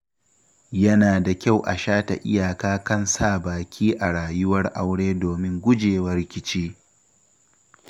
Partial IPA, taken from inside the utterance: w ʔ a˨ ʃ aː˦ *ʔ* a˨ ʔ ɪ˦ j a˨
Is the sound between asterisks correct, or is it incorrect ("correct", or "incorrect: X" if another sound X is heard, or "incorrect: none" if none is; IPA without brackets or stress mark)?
incorrect: t